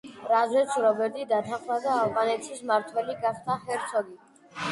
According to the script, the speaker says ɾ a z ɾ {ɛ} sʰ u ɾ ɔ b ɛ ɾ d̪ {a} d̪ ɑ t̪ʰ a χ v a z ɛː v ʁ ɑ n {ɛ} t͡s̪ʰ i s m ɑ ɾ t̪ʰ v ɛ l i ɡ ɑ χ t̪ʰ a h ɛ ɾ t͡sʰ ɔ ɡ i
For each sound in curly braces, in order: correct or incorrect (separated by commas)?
correct, incorrect, correct